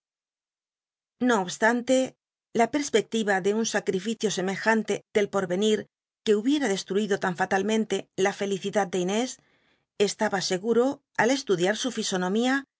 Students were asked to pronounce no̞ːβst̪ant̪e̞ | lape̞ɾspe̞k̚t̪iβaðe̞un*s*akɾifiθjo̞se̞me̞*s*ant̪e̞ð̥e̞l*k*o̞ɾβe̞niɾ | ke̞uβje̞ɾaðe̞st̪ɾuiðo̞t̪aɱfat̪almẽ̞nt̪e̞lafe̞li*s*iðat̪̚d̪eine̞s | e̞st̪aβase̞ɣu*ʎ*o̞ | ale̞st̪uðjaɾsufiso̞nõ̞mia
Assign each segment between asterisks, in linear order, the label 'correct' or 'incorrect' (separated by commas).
correct, incorrect, incorrect, incorrect, incorrect